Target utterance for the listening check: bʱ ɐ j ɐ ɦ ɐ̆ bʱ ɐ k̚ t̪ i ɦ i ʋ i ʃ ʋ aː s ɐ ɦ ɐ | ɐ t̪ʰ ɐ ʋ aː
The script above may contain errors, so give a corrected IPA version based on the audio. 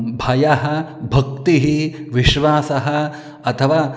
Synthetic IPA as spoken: bʱ ɐ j ɐ ɦ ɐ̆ bʱ ɐ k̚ t̪ i ɦ i ʋ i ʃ ʋ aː s ɐ ɦ ɐ | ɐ t̪ʰ ɐ ʋ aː